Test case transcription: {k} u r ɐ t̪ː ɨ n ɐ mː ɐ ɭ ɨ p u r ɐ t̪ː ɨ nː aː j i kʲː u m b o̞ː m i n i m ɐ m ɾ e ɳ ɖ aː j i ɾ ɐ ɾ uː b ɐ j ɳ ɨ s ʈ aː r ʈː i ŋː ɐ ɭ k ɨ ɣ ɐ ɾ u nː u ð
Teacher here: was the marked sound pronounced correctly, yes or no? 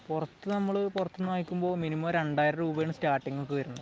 no